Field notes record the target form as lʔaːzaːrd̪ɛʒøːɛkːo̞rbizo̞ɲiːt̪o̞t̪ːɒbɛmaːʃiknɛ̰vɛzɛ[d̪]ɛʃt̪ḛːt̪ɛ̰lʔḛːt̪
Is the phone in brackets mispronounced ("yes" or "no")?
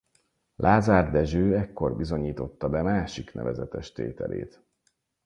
yes